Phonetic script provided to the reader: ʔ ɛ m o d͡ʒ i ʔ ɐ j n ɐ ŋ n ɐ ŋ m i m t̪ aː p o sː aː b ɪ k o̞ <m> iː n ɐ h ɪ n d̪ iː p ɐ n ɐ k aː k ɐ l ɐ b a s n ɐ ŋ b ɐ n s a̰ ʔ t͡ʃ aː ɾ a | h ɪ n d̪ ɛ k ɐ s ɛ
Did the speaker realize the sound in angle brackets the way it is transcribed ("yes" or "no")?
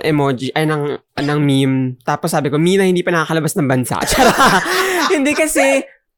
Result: yes